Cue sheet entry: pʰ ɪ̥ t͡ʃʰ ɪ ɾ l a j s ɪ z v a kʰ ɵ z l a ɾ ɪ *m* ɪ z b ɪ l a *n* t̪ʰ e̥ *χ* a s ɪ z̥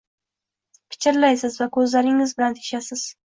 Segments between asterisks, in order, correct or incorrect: incorrect: ŋ, correct, incorrect: ʃ

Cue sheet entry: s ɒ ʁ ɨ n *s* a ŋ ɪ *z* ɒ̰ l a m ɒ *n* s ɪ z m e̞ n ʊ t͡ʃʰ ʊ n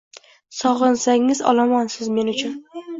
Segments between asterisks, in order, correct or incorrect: correct, correct, correct

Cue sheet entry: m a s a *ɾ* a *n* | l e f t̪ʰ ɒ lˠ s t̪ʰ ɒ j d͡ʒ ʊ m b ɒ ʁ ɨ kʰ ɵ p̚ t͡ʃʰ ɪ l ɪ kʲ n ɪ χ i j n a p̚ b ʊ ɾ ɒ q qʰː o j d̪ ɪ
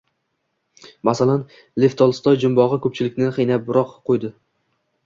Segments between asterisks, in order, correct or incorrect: incorrect: l, correct

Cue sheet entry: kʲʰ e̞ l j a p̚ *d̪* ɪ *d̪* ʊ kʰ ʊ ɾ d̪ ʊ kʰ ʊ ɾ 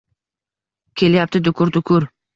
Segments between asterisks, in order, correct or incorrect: incorrect: t̪, correct

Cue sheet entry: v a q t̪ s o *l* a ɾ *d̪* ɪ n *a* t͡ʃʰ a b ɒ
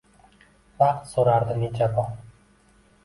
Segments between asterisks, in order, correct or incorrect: incorrect: ɾ, correct, incorrect: e

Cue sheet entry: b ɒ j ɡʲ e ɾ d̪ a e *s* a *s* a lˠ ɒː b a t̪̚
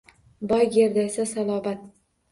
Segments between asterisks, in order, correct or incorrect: correct, correct

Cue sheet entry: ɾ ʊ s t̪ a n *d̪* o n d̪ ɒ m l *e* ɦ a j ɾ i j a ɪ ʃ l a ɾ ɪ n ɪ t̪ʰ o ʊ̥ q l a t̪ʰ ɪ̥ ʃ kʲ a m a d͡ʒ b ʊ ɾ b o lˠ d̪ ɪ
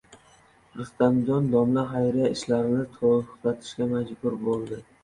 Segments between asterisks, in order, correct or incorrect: correct, incorrect: a

